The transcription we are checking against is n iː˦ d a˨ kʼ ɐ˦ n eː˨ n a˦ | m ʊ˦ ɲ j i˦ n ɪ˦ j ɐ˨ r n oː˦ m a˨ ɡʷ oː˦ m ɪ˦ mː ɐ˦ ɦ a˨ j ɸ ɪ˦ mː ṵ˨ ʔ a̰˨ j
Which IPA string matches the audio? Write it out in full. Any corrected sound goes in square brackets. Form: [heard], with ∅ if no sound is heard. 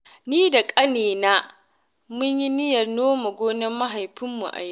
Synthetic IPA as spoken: n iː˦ d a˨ kʼ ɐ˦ n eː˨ n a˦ | m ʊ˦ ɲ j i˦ n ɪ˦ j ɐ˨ r n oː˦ m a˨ ɡʷ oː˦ [n] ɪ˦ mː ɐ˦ ɦ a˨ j ɸ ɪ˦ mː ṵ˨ ʔ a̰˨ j